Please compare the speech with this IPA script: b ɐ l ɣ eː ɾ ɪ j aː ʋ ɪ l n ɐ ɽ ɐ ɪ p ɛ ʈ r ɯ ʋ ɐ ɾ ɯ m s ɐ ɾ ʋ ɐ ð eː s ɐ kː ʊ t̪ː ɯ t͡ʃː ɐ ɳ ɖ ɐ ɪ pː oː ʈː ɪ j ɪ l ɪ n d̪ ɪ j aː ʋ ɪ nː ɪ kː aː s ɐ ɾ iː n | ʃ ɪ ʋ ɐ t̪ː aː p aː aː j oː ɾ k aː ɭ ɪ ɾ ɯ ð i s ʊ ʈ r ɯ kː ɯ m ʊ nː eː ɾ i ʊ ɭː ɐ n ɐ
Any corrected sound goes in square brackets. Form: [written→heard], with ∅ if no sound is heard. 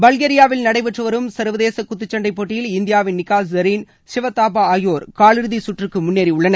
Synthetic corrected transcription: b ɐ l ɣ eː ɾ ɪ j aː ʋ ɪ l n ɐ ɽ ɐ ɪ p ɛ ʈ r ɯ ʋ ɐ ɾ ɯ m s ɐ ɾ ʋ ɐ ð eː s ɐ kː ʊ t̪ː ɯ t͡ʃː ɐ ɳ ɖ ɐ ɪ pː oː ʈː ɪ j ɪ l ɪ n d̪ ɪ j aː ʋ ɪ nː ɪ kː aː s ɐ ɾ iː n | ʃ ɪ ʋ ɐ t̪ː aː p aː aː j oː ɾ k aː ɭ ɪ ɾ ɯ ð i s ʊ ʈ r ɯ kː ɯ m ʊ nː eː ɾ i ʊ ɭː ɐ n ɐ

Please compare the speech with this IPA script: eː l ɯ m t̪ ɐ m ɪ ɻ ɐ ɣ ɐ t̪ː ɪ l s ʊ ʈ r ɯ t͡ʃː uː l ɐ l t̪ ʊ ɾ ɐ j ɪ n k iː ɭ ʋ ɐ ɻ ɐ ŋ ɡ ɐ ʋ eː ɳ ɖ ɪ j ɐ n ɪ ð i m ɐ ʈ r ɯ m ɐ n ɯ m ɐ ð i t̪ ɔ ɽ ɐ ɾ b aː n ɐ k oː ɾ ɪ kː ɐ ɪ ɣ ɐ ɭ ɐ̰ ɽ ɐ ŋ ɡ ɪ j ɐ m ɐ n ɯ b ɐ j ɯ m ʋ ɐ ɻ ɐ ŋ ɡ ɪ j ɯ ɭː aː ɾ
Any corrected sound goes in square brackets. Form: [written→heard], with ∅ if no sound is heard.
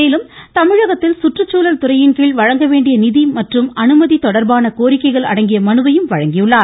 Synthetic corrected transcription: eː l ɯ m t̪ ɐ m ɪ ɻ ɐ ɣ ɐ t̪ː ɪ l s ʊ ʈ r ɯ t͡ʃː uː l ɐ l t̪ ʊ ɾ ɐ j ɪ n k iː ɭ ʋ ɐ ɻ ɐ ŋ ɡ ɐ ʋ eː ɳ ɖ ɪ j ɐ n ɪ ð i m ɐ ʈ r ɯ m ɐ n ɯ m ɐ ð i t̪ ɔ ɽ ɐ ɾ b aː n ɐ k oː ɾ ɪ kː ɐ ɪ ɣ ɐ ɭ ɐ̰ ɽ ɐ ŋ ɡ ɪ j ɐ m ɐ n ɯ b ɐ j ɯ m ʋ ɐ ɻ ɐ ŋ ɡ ɪ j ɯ ɭː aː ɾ

